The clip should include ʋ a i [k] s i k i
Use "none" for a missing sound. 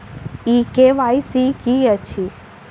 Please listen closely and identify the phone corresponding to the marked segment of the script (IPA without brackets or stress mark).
none